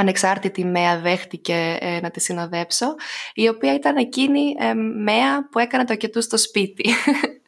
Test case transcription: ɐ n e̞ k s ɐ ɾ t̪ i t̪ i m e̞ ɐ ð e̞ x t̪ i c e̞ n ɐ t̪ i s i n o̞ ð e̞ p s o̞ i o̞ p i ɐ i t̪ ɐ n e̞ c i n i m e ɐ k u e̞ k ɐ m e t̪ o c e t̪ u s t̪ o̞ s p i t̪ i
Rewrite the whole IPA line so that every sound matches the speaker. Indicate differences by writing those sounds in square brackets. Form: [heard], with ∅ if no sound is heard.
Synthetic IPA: ɐ n e̞ k s ɐ ɾ t̪ i t̪ i m e̞ ɐ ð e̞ x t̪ i c e̞ n ɐ t̪ i s i n o̞ ð e̞ p s o̞ i o̞ p i ɐ i t̪ ɐ n e̞ c i n i m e ɐ [p] u e̞ k ɐ [n] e t̪ o c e t̪ u s t̪ o̞ s p i t̪ i